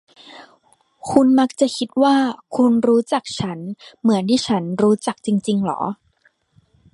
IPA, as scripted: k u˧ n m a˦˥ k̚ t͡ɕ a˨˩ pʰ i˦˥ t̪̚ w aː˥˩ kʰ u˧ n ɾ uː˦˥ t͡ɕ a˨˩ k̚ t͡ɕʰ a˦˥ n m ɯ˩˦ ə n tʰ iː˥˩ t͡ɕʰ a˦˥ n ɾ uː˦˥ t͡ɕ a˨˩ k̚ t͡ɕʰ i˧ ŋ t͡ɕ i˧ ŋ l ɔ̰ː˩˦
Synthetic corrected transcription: kʰ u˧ n m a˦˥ k̚ t͡ɕ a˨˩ kʰ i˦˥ t̪̚ w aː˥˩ kʰ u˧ n ɾ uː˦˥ t͡ɕ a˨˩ k̚ t͡ɕʰ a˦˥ n m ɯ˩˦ ə n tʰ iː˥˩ t͡ɕʰ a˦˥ n ɾ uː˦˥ t͡ɕ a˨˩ k̚ t͡ɕ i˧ ŋ t͡ɕ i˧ ŋ l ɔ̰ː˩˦